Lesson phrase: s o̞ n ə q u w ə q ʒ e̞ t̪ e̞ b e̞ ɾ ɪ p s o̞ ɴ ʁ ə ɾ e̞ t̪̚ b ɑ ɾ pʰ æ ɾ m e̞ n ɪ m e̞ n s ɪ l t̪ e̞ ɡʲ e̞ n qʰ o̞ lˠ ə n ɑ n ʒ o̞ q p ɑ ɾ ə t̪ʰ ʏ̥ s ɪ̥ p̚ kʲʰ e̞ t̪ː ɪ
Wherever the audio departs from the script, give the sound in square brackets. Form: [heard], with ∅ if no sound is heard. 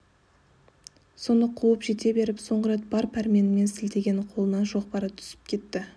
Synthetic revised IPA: s o̞ n ə [qʰ] u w ə [p] ʒ e̞ t̪ e̞ b e̞ ɾ ɪ p s o̞ ɴ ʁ ə ɾ e̞ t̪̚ b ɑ ɾ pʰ æ ɾ m e̞ n ɪ m e̞ n s ɪ l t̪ e̞ ɡʲ e̞ n qʰ o̞ lˠ ə n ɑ n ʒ o̞ q p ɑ ɾ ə t̪ʰ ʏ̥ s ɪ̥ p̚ kʲʰ e̞ t̪ː ɪ